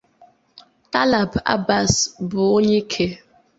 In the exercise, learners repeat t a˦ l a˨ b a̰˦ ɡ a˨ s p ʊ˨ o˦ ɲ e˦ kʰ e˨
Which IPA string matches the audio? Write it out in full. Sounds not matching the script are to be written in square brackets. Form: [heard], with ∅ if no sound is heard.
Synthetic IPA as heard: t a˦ l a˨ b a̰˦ [b] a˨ s [b] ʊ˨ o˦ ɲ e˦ kʰ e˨